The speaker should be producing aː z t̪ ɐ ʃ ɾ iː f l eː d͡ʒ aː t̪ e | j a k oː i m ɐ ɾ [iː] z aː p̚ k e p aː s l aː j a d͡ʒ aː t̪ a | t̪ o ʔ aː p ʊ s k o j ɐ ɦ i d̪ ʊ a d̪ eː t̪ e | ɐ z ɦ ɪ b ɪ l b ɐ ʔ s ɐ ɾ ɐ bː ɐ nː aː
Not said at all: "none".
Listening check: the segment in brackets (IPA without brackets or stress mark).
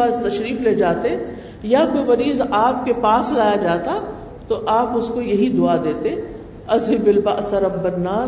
iː